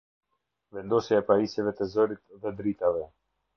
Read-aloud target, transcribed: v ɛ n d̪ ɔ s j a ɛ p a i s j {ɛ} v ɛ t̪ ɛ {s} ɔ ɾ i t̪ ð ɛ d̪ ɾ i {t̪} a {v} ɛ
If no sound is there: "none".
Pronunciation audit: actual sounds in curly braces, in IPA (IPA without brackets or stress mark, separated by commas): ɛ, z, t̪, v